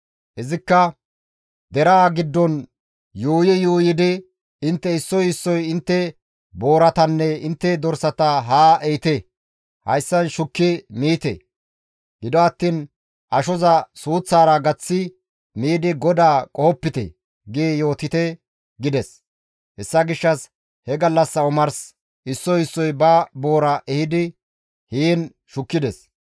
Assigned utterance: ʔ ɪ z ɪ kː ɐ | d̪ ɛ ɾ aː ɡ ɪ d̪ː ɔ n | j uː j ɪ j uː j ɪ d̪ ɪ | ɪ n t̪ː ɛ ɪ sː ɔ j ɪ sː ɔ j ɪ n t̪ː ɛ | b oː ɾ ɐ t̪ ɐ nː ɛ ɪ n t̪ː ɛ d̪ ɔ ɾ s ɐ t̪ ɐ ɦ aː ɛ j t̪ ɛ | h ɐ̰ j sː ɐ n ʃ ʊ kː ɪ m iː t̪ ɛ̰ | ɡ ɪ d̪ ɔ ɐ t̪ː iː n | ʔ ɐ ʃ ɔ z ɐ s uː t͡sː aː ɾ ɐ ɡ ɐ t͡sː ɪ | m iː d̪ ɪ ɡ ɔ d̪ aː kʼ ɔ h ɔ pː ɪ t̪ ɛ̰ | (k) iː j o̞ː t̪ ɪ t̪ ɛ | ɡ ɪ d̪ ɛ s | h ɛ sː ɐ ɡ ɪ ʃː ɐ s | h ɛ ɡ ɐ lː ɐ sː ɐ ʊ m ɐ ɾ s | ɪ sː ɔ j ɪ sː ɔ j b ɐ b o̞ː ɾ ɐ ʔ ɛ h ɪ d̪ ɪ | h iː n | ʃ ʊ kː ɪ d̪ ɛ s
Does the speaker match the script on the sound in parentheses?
no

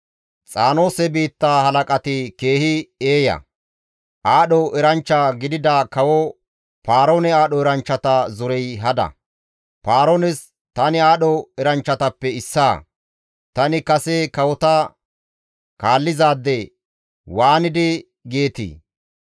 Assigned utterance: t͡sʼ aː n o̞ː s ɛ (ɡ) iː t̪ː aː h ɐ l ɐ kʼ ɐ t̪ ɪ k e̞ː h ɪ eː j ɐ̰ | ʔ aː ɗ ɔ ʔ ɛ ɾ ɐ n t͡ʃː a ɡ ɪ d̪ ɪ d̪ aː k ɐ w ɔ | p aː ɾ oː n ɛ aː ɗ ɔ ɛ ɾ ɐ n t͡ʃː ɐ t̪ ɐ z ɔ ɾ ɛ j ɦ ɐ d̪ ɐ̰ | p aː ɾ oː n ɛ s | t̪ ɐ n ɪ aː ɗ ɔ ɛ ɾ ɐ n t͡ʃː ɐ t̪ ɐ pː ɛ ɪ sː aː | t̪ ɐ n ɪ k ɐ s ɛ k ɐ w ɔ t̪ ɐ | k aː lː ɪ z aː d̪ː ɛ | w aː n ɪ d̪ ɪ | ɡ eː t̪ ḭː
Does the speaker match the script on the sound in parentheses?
no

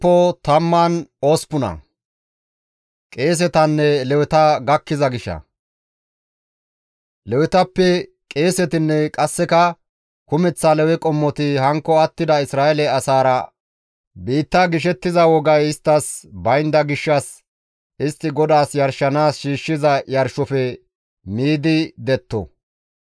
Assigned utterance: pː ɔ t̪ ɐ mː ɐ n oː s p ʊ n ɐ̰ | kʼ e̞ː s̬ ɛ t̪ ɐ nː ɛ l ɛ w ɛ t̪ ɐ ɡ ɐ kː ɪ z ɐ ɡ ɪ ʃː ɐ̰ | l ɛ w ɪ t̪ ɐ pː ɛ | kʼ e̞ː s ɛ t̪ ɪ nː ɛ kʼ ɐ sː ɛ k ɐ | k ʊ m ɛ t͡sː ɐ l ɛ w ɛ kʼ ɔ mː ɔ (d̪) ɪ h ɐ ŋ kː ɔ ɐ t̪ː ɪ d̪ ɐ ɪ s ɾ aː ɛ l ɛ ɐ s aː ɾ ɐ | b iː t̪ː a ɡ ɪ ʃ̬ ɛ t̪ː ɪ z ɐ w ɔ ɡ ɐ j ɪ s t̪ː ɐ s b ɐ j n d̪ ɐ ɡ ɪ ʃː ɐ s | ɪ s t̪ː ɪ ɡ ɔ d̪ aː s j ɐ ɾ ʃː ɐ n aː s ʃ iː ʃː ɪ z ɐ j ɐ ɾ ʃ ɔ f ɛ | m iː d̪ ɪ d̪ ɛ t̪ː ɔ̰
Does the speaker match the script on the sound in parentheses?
no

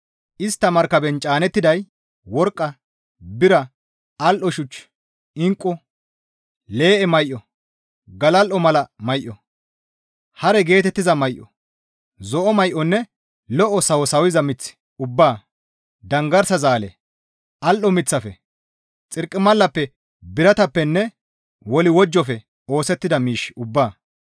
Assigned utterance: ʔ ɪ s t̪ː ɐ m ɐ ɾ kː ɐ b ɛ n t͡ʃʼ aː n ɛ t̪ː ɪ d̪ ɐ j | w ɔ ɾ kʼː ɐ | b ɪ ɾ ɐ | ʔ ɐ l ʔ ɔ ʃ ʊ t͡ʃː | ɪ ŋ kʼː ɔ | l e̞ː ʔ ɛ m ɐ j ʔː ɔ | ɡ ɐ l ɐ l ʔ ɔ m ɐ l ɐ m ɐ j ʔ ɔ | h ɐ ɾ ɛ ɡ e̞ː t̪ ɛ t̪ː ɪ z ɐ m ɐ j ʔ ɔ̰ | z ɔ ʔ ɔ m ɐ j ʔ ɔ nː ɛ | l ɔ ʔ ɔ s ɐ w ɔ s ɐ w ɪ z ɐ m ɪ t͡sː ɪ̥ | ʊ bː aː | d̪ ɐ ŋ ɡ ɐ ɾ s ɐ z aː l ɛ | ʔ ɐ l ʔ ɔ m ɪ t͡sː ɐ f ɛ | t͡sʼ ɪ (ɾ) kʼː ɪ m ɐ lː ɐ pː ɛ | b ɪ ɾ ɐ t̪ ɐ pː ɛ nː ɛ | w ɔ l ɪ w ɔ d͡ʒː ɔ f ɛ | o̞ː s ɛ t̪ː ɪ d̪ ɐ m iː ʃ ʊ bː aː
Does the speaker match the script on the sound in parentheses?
yes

